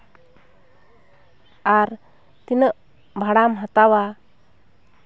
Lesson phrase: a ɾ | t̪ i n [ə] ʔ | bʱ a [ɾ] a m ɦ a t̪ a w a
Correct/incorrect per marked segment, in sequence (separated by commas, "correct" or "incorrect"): correct, incorrect